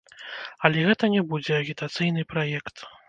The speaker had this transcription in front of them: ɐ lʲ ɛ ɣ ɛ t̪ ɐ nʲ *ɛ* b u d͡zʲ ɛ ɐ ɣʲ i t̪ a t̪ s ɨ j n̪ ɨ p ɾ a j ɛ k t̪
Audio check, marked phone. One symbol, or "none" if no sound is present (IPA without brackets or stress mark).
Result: ɛ